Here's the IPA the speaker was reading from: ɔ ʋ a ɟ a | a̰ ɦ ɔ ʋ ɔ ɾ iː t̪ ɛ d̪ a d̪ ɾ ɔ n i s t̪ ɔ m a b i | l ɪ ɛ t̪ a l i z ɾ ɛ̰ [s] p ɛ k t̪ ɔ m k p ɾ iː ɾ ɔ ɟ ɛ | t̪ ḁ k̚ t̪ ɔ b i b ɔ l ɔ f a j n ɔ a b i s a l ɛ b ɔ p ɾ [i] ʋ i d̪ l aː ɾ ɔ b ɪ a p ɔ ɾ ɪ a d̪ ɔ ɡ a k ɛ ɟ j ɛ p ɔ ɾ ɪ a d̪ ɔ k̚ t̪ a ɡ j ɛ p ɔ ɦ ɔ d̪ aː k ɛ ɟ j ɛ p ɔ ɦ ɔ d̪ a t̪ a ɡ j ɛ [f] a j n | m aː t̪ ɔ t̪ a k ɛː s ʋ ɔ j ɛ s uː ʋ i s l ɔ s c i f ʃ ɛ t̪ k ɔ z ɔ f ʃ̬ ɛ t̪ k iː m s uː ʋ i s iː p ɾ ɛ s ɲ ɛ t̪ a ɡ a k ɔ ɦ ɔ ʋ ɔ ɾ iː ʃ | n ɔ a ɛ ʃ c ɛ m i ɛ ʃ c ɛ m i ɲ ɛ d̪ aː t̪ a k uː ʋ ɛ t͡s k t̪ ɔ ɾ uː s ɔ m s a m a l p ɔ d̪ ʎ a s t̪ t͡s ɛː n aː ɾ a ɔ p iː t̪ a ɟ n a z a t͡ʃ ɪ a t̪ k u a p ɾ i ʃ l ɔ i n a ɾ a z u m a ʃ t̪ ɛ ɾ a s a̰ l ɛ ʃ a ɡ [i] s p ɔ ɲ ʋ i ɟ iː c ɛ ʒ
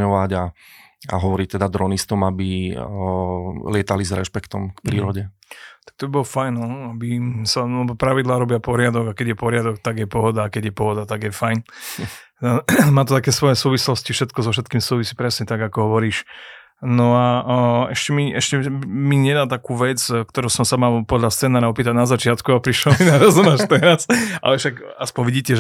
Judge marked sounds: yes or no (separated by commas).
no, no, yes, no